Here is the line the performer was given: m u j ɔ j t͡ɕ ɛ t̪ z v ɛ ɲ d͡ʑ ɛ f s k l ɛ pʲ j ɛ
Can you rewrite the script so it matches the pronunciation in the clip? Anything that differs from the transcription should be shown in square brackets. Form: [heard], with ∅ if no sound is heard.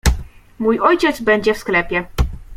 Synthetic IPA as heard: m u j ɔ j t͡ɕ ɛ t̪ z [b] ɛ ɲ d͡ʑ ɛ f s k l ɛ pʲ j ɛ